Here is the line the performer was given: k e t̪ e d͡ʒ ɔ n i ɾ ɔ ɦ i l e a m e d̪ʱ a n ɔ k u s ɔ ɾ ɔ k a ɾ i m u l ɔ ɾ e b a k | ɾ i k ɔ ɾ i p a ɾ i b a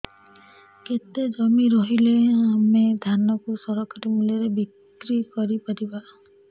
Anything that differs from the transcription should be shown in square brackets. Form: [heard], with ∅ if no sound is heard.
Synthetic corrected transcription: k e t̪ e d͡ʒ ɔ [m] i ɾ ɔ ɦ i l e a m e d̪ʱ a n ɔ k u s ɔ ɾ ɔ k a ɾ i m u l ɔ ɾ e b [i] k | ɾ i k ɔ ɾ i p a ɾ i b a